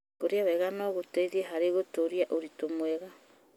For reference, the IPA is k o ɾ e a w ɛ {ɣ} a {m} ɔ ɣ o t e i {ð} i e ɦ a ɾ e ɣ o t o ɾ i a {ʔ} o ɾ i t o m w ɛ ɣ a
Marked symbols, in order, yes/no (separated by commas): yes, no, yes, yes